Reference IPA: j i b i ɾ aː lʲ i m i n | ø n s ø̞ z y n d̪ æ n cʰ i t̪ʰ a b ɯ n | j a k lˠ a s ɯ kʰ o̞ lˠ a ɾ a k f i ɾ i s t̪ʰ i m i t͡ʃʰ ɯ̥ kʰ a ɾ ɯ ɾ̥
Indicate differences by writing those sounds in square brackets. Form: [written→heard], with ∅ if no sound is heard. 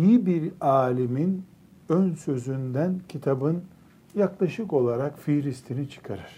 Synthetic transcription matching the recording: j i b i ɾ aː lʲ i m i n | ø n s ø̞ z y n d̪ æ n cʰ i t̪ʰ a b ɯ n | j a k lˠ a [s→ʃ] ɯ [kʰ→k] o̞ lˠ a ɾ a k f i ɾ i s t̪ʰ i [m→n] i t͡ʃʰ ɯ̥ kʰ a ɾ ɯ ɾ̥